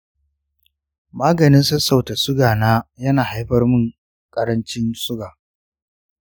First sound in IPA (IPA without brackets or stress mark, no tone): m